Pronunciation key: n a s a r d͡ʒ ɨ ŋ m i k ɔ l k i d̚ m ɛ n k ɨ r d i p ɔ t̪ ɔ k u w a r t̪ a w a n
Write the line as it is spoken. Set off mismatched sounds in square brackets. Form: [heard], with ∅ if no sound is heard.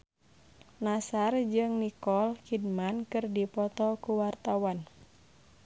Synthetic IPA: n a s a r d͡ʒ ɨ ŋ [n] i k ɔ l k i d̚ m [a] n k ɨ r d i p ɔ t̪ ɔ k u w a r t̪ a w a n